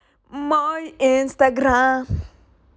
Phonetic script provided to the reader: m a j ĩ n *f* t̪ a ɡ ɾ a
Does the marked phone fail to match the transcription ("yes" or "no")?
yes